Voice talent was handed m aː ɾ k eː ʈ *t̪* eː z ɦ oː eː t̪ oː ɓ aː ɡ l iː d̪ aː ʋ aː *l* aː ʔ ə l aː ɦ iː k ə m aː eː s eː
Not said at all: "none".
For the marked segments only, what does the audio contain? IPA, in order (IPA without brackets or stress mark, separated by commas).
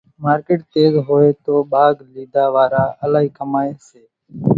t̪, ɾ